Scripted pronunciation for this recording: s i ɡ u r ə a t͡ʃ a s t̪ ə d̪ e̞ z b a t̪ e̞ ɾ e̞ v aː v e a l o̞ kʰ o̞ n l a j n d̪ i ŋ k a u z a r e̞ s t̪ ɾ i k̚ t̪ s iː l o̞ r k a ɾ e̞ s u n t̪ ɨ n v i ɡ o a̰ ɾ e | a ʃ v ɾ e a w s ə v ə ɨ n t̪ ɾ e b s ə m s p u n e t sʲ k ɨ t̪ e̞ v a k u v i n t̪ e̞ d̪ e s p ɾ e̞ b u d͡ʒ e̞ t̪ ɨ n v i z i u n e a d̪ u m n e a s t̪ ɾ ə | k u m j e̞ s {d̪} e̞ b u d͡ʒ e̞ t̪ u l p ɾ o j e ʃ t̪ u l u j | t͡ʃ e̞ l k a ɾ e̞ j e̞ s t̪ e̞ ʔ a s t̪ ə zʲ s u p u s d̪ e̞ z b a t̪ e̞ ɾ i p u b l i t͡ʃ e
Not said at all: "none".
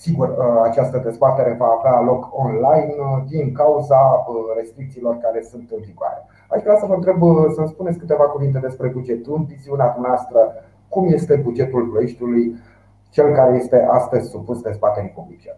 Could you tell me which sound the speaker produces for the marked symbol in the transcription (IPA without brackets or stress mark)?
t̪